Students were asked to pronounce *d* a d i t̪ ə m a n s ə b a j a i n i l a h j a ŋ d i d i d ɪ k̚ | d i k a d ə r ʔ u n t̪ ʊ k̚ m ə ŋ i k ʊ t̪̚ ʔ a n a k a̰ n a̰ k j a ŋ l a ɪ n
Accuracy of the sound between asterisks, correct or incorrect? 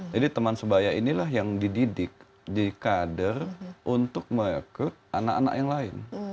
incorrect